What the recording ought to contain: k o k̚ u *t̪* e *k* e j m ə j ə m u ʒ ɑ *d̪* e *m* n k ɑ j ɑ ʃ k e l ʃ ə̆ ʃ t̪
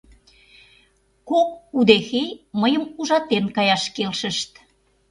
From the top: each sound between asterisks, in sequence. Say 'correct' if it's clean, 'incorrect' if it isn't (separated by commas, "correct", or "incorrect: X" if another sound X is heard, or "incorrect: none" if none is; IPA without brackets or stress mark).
incorrect: d̪, incorrect: x, incorrect: t̪, incorrect: none